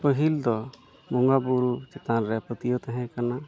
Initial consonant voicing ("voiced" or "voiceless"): voiceless